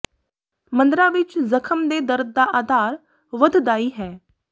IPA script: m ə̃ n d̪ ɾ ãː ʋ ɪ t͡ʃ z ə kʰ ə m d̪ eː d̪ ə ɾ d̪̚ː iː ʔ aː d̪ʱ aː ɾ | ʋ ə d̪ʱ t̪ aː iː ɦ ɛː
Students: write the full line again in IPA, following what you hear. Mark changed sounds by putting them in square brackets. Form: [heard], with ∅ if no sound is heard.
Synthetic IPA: m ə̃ n d̪ ɾ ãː ʋ ɪ t͡ʃ z ə kʰ ə m d̪ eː d̪ ə ɾ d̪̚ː [aː] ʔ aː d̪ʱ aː ɾ | ʋ ə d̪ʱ [d̪] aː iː ɦ ɛː